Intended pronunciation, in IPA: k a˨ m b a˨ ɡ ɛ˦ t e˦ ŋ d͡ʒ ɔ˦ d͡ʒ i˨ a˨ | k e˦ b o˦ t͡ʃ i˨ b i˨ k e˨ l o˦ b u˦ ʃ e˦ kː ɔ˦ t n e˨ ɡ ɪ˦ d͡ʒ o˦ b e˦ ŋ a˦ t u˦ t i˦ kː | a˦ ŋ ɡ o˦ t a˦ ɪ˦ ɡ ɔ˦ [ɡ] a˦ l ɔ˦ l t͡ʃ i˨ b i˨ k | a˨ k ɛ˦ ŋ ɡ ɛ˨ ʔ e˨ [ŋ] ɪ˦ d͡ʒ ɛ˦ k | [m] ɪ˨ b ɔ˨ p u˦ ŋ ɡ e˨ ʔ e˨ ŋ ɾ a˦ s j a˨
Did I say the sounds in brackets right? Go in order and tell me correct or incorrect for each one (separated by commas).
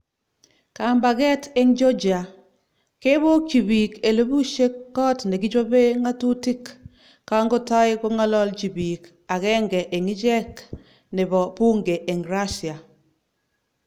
incorrect, correct, incorrect